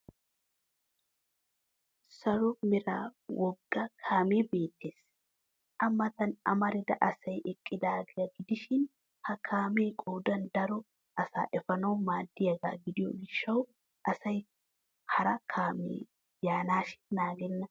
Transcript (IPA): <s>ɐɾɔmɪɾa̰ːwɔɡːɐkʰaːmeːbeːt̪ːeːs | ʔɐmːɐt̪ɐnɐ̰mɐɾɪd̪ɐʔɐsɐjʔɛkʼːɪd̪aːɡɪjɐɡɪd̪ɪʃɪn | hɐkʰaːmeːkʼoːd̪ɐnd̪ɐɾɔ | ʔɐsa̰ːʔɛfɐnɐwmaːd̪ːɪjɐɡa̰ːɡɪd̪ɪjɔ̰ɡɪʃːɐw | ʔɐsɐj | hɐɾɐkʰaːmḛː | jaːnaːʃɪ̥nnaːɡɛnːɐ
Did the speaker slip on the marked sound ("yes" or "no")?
no